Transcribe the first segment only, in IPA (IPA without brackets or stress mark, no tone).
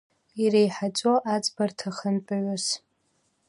i